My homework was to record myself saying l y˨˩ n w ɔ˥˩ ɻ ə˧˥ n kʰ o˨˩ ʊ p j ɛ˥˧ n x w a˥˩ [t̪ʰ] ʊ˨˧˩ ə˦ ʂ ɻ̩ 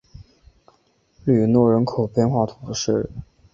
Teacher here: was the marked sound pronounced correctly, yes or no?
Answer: yes